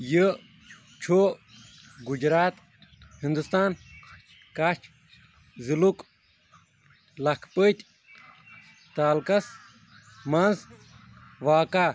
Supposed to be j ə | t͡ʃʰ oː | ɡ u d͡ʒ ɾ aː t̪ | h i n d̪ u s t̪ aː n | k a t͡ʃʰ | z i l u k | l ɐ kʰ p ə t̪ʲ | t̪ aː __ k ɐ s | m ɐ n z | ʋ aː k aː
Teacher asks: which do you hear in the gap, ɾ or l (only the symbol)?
l